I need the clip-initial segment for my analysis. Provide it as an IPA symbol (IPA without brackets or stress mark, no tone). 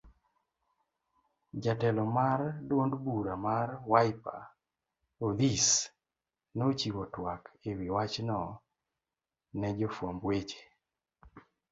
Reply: d͡ʒ